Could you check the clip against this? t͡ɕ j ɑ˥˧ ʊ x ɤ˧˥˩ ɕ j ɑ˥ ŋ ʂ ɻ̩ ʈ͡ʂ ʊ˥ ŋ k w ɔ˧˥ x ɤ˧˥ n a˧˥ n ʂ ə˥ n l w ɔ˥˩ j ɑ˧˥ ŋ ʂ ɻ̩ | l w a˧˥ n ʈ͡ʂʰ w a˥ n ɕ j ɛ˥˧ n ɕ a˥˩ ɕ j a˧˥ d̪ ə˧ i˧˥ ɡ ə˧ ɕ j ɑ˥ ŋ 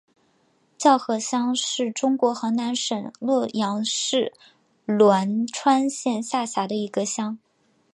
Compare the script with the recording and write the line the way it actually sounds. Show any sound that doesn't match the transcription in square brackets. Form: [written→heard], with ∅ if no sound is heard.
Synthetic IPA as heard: t͡ɕ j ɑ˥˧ ʊ x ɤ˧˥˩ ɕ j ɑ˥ ŋ ʂ ɻ̩ ʈ͡ʂ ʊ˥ ŋ k w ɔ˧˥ x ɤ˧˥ n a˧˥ n ʂ [ə˥→ə˨˩] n l w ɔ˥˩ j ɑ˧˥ ŋ ʂ ɻ̩ | l w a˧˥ n ʈ͡ʂʰ w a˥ n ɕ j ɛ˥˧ n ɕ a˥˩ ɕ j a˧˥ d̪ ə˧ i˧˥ ɡ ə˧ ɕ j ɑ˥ ŋ